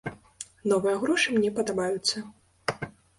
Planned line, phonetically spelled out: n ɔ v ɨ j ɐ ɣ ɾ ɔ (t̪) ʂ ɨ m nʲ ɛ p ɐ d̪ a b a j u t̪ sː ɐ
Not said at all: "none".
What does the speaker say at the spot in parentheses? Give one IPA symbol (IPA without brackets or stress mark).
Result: none